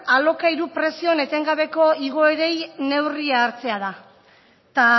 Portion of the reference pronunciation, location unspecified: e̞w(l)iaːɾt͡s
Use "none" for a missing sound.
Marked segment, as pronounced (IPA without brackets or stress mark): r